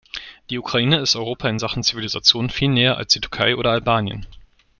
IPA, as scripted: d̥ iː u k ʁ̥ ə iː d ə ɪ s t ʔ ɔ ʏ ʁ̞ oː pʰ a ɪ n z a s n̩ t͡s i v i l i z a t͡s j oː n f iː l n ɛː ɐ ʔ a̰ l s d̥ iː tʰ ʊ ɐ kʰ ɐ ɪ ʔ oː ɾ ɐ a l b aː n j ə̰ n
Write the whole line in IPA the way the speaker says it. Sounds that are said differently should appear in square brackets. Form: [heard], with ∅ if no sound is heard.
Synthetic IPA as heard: d̥ iː u k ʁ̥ [a] iː [n] ə ɪ s t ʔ ɔ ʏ ʁ̞ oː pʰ a ɪ n z a [χ] n̩ t͡s i v i l i z a t͡s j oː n f iː l n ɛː ɐ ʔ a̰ l s d̥ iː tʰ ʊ ɐ kʰ [a] ɪ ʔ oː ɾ ɐ a l b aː n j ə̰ n